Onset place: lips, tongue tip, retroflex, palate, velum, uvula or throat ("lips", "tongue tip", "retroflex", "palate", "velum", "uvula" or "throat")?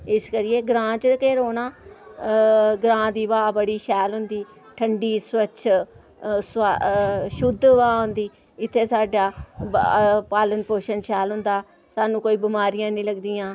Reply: tongue tip